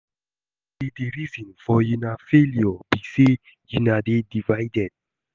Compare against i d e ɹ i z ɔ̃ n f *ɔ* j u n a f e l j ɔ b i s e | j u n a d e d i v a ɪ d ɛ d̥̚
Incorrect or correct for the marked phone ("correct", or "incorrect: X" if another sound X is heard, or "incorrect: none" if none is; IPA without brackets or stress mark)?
correct